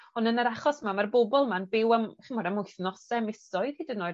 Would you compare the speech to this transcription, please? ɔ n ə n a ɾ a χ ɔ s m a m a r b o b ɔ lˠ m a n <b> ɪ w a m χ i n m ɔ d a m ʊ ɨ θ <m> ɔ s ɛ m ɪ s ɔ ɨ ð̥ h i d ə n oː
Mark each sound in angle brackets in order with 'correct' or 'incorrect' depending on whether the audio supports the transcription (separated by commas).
correct, incorrect